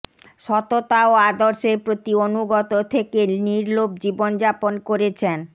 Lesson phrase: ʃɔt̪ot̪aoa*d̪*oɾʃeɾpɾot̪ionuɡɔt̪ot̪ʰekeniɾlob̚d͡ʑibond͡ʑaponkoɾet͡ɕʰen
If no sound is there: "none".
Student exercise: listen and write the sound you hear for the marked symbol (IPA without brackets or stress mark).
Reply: d̪